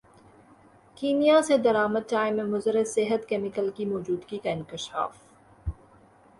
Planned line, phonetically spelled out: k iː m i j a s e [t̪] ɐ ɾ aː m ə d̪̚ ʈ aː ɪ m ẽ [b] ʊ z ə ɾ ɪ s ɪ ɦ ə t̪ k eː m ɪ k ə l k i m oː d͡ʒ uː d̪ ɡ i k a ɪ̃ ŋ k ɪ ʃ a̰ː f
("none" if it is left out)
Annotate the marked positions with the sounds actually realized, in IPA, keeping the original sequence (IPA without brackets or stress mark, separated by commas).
d̪, m